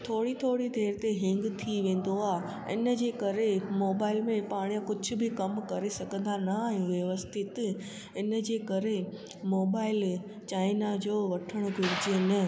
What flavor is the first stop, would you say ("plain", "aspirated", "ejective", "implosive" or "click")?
aspirated